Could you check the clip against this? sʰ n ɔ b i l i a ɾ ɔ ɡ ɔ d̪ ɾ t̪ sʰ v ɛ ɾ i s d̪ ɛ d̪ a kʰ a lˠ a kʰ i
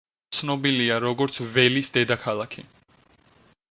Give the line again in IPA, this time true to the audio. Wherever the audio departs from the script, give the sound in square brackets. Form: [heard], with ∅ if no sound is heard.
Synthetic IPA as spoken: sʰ n ɔ b i l i a ɾ ɔ ɡ ɔ [∅] ɾ t̪ sʰ v ɛ [l] i s d̪ ɛ d̪ a kʰ a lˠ a kʰ i